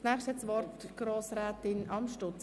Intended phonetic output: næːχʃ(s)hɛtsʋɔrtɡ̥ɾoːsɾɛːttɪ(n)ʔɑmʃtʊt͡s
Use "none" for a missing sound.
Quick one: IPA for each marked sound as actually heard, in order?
t, n

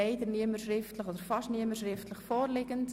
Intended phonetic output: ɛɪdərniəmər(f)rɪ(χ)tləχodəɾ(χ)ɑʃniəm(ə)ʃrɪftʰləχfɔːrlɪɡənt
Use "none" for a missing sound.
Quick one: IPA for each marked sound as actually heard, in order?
ʃ, f, f, ə

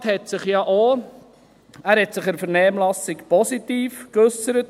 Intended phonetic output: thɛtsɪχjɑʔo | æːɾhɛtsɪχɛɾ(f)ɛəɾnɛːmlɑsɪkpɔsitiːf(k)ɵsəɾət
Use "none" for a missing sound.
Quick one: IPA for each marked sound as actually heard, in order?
f, k

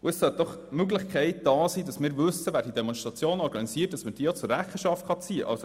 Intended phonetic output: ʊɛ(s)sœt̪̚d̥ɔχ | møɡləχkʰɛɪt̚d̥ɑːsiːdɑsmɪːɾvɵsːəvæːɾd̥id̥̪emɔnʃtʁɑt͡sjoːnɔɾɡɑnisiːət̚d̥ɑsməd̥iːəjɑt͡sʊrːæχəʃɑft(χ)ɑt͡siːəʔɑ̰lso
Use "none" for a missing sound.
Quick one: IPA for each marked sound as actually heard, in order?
s, χ

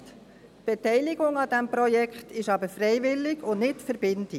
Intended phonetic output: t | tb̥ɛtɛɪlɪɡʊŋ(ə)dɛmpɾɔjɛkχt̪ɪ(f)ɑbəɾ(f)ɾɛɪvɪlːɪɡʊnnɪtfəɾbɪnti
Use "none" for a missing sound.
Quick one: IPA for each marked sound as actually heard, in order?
ɑ, ʃ, f

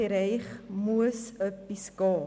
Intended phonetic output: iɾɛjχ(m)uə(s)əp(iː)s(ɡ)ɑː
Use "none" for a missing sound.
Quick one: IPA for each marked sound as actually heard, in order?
m, s, i, k

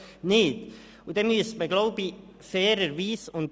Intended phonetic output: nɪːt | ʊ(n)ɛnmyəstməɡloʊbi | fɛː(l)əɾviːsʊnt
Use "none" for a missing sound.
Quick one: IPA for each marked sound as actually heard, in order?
d, ɾ

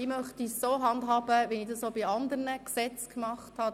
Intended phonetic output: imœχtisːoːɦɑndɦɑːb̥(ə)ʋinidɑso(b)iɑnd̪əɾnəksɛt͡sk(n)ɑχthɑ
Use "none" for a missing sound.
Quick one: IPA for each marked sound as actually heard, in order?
ə, b, m

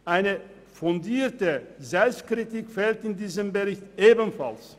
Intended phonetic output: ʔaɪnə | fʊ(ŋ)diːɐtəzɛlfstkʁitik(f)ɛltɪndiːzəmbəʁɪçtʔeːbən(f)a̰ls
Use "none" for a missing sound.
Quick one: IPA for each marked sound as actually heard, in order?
n, f, f

